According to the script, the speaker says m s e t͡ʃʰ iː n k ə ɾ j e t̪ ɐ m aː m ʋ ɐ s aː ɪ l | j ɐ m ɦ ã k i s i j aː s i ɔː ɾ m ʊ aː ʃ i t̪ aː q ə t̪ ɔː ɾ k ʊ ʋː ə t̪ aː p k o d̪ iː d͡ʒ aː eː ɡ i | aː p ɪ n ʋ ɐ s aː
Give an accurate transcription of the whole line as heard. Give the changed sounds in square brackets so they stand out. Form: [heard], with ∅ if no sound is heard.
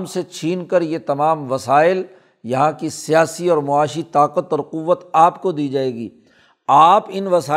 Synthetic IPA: m s e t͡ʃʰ iː n k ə ɾ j e t̪ ɐ m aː m ʋ ɐ s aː ɪ l | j ɐ [∅] ɦ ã k i s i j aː s i ɔː ɾ m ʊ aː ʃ i t̪ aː q ə t̪ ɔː ɾ [q] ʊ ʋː ə t̪ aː p k o d̪ iː d͡ʒ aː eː ɡ [iː] | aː p ɪ n ʋ ɐ s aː